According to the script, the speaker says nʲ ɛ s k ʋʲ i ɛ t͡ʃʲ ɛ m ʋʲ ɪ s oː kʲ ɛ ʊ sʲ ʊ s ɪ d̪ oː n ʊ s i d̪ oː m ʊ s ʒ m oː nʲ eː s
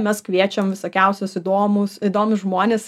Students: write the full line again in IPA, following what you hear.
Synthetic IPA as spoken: mʲ ɛ s k ʋʲ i ɛ t͡ʃʲ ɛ m ʋʲ ɪ s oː kʲ ɛ ʊ sʲ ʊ s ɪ d̪ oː m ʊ s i d̪ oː m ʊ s ʒ m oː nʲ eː s